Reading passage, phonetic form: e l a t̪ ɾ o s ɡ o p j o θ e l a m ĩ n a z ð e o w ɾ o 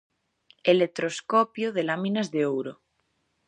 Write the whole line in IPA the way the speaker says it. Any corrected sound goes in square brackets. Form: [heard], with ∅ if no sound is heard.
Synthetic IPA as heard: e l [e] t̪ ɾ o s [k] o p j o [ð] e l a m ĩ n a z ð e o w ɾ o